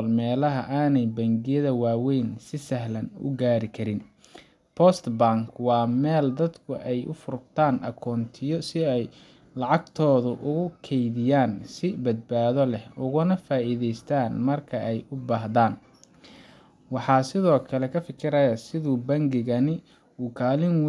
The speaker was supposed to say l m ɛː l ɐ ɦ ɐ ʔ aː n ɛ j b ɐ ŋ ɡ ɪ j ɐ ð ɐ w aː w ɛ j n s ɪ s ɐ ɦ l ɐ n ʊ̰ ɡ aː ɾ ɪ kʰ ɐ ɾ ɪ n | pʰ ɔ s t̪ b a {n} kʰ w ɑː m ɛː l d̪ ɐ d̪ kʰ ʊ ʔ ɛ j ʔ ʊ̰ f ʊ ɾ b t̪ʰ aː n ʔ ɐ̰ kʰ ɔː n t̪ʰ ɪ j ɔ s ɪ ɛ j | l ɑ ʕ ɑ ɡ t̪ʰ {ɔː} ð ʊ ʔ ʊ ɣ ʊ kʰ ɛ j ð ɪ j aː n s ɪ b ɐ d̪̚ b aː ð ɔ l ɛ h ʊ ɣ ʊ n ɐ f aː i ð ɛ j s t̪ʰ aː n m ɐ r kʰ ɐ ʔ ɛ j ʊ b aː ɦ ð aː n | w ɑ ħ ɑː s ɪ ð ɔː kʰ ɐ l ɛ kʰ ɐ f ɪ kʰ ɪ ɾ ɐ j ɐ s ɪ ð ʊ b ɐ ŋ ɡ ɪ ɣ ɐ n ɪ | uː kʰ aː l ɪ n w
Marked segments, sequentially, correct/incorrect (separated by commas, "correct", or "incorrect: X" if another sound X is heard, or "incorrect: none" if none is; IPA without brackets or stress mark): incorrect: ŋ, correct